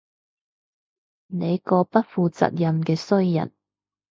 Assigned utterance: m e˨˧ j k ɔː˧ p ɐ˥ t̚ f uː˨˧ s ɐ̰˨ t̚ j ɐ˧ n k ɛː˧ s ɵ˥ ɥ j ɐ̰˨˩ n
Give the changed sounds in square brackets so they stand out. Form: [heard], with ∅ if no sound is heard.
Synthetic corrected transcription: [n] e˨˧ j k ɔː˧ p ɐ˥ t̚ f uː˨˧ [t͡s] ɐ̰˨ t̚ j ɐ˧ [m] k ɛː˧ s ɵ˥ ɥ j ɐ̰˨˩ n